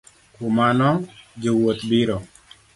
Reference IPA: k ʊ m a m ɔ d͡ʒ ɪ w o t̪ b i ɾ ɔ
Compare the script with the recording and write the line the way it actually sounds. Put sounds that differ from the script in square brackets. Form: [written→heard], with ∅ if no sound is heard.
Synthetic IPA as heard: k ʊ m a [m→n] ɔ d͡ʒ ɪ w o t̪ b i ɾ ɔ